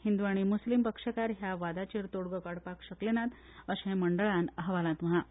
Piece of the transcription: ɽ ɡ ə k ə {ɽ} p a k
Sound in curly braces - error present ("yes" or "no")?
no